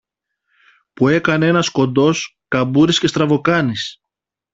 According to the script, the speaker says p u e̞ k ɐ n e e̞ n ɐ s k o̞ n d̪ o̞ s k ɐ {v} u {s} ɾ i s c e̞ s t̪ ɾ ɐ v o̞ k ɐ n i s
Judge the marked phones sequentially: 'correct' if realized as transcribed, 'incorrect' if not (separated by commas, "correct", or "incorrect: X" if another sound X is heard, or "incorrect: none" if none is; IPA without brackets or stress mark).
incorrect: b, incorrect: none